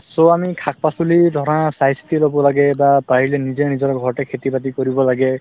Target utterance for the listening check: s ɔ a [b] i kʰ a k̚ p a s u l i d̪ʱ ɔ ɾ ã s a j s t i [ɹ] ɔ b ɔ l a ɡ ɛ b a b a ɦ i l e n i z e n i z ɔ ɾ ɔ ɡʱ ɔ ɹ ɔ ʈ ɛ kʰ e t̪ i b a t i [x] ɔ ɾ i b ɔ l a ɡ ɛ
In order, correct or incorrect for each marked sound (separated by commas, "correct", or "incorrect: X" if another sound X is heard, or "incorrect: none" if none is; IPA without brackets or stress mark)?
incorrect: m, incorrect: l, incorrect: k